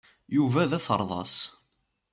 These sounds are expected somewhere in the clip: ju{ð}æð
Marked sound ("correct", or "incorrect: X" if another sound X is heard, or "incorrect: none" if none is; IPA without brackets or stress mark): incorrect: v